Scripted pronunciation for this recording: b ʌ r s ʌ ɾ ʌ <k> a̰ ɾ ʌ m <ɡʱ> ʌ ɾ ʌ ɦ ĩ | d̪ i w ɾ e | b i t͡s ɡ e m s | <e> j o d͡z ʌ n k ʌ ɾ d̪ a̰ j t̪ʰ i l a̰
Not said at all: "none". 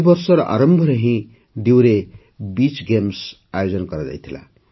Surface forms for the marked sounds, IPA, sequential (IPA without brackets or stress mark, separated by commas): ʔ, bʱ, a